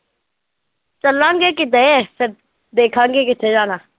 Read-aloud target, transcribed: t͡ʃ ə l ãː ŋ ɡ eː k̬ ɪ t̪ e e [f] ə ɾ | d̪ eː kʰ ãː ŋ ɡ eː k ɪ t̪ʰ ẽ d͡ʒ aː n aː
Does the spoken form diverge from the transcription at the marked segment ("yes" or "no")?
yes